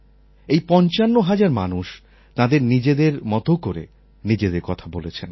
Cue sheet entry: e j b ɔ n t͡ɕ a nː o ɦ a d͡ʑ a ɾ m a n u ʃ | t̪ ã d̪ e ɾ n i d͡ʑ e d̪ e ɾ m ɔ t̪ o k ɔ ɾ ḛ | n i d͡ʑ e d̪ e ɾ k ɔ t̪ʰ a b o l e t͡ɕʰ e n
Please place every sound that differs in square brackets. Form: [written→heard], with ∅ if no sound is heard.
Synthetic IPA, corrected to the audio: e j [b→p] ɔ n t͡ɕ a nː o ɦ a d͡ʑ a ɾ m a n u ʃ | t̪ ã d̪ e ɾ n i d͡ʑ e d̪ e ɾ m ɔ t̪ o k [ɔ→o] ɾ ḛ | n i d͡ʑ e d̪ e ɾ k ɔ t̪ʰ a b o l e t͡ɕʰ e n